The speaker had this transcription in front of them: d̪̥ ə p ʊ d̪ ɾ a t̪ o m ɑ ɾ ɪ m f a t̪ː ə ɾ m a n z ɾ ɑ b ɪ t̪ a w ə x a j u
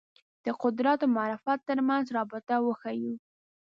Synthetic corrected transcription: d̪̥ ə q ʊ d̪ ɾ a t̪ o m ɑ ɾ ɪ f a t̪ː ə ɾ m a n z ɾ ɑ b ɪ t̪ a w ə x a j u